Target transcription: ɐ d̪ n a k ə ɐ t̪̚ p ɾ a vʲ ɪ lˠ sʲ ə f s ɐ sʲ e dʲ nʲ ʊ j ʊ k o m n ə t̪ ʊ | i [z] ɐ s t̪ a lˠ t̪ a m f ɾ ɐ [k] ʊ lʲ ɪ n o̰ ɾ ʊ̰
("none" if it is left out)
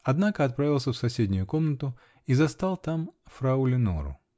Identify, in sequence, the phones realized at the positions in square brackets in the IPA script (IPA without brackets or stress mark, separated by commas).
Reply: z, none